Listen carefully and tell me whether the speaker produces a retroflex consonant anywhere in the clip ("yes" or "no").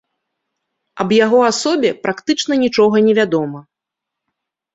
yes